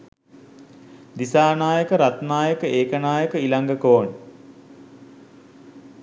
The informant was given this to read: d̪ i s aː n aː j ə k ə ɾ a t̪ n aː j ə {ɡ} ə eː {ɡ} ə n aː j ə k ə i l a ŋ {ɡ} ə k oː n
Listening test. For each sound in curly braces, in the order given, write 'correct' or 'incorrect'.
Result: incorrect: k, incorrect: k, correct

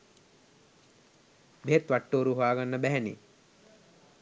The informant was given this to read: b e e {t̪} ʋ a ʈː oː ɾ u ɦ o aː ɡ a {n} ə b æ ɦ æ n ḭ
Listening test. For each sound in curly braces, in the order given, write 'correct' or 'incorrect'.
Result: correct, incorrect: nː

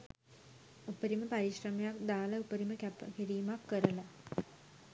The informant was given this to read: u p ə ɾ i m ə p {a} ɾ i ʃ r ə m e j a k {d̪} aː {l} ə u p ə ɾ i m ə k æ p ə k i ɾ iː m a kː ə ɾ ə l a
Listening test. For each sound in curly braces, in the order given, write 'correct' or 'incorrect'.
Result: correct, correct, correct

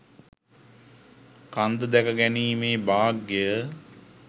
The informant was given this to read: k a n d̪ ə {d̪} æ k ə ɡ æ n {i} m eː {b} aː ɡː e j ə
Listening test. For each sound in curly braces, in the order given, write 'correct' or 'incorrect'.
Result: correct, incorrect: iː, correct

